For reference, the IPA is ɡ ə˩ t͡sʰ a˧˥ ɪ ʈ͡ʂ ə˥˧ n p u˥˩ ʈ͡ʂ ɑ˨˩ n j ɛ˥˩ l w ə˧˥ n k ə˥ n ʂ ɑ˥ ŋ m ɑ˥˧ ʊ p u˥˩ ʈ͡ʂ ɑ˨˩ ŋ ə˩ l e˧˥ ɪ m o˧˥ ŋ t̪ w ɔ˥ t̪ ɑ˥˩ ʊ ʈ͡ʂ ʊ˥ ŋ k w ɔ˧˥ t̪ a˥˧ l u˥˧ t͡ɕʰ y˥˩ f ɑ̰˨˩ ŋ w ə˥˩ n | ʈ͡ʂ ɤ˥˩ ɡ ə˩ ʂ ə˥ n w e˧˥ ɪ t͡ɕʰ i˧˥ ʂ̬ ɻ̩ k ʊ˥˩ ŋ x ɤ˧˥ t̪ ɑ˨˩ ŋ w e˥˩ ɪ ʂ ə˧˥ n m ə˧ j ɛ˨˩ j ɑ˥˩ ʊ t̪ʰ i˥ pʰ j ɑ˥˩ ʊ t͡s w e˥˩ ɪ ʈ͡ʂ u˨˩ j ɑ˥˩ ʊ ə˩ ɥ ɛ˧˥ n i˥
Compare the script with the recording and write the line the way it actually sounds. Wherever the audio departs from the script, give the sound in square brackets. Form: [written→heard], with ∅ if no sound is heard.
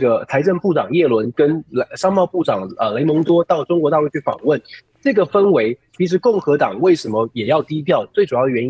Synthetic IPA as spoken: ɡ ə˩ t͡sʰ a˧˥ ɪ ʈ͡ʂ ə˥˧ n p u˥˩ ʈ͡ʂ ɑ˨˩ [n→ŋ] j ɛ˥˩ l w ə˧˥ n k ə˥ n ʂ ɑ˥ ŋ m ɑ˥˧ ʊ p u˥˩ ʈ͡ʂ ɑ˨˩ ŋ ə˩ l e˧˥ ɪ m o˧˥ ŋ t̪ w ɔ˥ t̪ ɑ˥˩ ʊ ʈ͡ʂ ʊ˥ ŋ k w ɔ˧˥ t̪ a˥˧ l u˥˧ t͡ɕʰ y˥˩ f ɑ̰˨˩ ŋ w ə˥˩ n | ʈ͡ʂ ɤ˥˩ ɡ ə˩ [ʂ→f] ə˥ n w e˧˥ ɪ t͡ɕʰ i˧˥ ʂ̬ ɻ̩ k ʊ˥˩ ŋ x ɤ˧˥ t̪ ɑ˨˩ ŋ w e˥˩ ɪ ʂ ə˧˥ n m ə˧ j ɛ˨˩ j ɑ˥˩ ʊ [t̪ʰ→t̪] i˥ pʰ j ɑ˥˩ ʊ t͡s w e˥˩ ɪ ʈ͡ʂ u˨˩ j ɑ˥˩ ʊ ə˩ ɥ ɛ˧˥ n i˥